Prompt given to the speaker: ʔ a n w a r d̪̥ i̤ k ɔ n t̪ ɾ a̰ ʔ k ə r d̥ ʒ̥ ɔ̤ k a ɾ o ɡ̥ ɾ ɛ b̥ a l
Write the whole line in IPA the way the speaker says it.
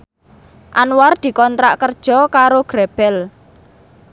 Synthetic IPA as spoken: ʔ a n w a r d̪̥ i̤ k ɔ n t̪ ɾ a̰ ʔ k ə r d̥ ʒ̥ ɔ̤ k a ɾ o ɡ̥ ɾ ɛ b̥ ɛ l